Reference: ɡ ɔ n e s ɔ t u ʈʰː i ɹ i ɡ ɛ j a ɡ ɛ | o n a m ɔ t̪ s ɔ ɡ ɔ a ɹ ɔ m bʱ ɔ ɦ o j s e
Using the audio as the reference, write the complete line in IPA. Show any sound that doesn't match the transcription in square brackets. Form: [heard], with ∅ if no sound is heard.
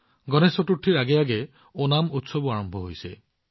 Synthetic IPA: ɡ ɔ n e s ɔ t u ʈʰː i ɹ [a] ɡ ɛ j a ɡ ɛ | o n a m [u] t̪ s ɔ [b] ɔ a ɹ ɔ m bʱ ɔ ɦ o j s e